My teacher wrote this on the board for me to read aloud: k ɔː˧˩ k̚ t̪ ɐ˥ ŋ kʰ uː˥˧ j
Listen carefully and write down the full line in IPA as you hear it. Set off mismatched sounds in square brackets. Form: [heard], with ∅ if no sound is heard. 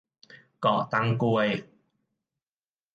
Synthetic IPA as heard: k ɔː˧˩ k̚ t̪ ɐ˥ ŋ [k] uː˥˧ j